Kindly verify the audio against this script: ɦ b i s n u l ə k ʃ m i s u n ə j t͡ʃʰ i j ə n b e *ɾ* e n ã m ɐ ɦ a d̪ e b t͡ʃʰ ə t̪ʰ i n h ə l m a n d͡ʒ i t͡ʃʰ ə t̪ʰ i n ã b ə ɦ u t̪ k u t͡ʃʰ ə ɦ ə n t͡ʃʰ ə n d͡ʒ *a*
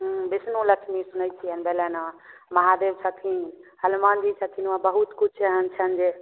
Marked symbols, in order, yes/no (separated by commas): no, no